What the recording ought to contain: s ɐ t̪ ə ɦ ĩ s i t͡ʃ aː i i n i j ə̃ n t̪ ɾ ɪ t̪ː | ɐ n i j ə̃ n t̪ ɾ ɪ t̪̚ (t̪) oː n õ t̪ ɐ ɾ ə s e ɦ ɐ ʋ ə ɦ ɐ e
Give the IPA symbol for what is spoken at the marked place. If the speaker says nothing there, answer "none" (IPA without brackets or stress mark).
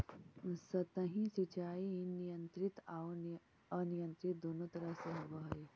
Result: d̪